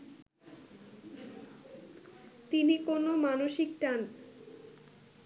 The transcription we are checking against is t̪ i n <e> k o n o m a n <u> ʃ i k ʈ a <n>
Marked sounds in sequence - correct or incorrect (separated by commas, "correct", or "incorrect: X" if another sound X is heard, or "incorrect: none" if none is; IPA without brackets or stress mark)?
incorrect: i, incorrect: o, correct